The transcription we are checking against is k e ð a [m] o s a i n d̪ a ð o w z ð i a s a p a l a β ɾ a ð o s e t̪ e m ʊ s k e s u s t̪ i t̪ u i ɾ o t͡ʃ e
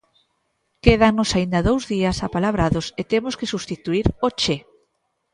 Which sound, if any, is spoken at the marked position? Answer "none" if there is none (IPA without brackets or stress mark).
n